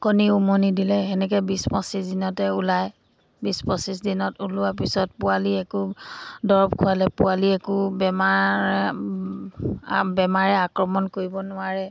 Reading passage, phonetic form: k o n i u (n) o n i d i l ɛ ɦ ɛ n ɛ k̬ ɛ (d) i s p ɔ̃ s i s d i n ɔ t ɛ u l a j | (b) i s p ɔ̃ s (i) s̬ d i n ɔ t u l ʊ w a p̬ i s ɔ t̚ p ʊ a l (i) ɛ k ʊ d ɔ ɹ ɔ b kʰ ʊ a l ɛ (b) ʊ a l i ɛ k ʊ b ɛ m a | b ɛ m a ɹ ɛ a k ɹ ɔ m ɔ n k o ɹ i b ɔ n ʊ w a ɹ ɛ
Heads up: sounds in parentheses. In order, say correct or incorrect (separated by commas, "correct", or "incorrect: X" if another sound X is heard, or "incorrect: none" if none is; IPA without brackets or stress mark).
incorrect: m, incorrect: b, correct, correct, correct, incorrect: p